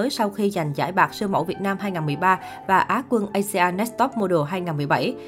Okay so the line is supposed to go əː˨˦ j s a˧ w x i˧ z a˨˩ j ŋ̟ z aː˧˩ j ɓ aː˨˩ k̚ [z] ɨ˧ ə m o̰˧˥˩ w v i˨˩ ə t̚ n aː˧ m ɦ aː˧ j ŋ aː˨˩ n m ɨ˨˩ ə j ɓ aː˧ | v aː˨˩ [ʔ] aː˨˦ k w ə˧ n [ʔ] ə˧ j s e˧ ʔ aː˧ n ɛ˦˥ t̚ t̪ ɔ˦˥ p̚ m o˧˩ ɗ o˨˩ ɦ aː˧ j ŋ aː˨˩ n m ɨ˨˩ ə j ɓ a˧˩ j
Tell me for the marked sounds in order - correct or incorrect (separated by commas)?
incorrect, correct, correct